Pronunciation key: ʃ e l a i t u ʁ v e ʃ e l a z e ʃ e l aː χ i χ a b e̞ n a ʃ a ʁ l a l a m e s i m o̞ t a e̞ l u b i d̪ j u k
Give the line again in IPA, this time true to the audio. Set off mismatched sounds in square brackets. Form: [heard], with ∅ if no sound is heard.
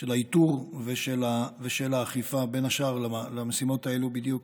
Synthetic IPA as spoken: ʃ e l a i t u ʁ v e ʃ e l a [v] e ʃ e l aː χ i [f] a b e̞ n a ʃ a ʁ l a l a m e s i m o̞ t a e̞ l u b i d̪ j u k